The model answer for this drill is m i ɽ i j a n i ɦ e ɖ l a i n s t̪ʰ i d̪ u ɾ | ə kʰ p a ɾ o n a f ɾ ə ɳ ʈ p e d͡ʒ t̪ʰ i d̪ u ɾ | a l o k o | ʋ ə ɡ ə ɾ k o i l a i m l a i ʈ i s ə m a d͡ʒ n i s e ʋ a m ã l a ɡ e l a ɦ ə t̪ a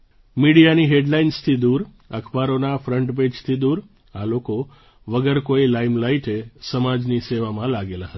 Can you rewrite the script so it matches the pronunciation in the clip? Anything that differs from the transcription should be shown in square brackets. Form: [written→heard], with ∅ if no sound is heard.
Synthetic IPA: m i ɽ i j a n i ɦ e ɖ l a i n s t̪ʰ i d̪ u ɾ | ə kʰ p a ɾ o n a f ɾ ə ɳ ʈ p e d͡ʒ t̪ʰ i d̪ u ɾ | a l o k o | ʋ ə ɡ ə ɾ k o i l a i m l a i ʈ [i→e] s ə m a d͡ʒ n i s e ʋ a m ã l a ɡ e l a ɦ ə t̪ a

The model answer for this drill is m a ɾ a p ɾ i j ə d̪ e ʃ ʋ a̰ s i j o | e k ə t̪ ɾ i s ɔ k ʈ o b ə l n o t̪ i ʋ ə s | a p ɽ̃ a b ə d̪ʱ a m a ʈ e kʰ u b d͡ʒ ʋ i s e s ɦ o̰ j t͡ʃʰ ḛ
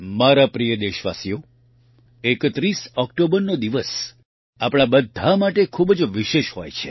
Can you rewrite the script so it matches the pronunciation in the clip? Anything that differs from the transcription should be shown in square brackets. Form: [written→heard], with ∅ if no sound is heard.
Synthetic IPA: m a ɾ a p ɾ i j ə d̪ e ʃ ʋ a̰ s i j o | e k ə t̪ ɾ i s ɔ k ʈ o b ə [l→ɾ] n o [t̪→d̪] i ʋ ə s | a p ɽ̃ a b ə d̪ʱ a m a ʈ e kʰ u b d͡ʒ ʋ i [s→ʃ] e [s→ʃ] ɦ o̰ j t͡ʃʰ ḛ

